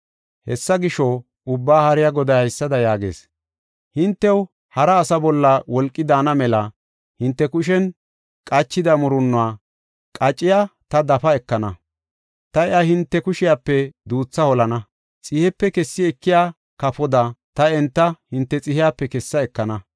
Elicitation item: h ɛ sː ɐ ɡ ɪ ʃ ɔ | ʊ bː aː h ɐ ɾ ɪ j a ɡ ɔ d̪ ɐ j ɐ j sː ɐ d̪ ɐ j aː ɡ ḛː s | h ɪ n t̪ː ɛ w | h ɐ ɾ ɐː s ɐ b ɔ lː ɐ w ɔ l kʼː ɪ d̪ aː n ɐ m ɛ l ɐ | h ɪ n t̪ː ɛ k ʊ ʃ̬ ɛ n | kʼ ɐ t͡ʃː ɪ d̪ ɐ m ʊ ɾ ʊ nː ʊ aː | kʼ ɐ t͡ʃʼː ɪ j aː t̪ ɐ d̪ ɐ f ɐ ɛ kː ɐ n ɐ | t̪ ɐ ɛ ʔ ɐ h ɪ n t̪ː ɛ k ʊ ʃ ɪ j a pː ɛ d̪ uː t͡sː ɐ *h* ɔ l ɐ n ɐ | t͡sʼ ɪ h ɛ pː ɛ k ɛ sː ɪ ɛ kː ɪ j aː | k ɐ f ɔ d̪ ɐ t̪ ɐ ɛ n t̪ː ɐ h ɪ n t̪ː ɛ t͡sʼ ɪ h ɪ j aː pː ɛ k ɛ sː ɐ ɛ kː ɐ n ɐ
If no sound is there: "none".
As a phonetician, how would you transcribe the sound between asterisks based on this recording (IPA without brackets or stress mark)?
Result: h